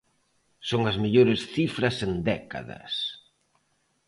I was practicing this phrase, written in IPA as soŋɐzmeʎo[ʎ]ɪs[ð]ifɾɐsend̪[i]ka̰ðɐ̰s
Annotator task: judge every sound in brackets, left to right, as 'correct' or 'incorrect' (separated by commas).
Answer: incorrect, incorrect, incorrect